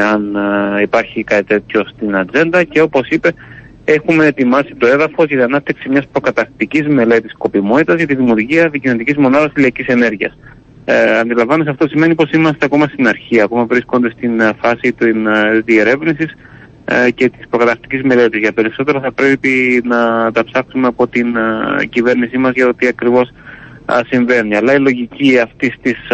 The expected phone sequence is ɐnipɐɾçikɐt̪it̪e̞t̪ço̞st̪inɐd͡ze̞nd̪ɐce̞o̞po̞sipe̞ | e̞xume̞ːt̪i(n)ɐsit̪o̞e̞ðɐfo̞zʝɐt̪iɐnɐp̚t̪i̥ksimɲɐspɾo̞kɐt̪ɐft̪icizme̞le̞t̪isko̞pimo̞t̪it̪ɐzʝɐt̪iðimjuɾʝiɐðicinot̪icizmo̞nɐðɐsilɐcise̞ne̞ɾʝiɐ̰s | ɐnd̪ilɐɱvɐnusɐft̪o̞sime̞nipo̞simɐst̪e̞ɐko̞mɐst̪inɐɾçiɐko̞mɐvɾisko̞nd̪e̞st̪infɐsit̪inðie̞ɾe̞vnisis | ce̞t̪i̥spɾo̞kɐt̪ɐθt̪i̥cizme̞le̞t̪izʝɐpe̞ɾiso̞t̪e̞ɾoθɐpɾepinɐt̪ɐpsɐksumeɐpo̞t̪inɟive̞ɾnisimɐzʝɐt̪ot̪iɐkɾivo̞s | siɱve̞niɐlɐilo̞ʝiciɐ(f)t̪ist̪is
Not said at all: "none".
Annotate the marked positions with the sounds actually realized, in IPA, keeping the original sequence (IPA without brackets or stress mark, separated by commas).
m, f